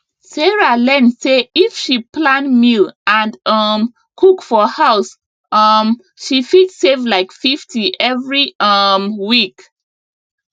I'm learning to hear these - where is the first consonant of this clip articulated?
tongue tip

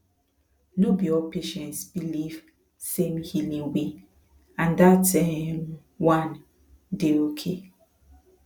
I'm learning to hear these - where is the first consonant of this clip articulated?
tongue tip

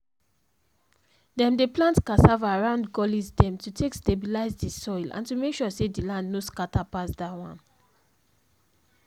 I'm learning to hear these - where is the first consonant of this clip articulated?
tongue tip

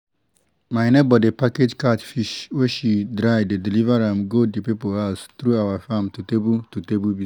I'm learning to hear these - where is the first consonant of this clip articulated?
lips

